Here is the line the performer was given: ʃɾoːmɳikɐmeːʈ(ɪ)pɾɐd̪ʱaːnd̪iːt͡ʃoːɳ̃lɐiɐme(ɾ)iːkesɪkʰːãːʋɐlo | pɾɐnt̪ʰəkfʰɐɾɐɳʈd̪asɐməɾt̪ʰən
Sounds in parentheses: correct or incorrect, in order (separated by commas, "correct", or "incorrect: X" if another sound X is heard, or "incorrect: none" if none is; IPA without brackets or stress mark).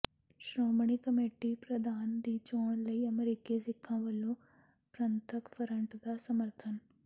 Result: incorrect: i, correct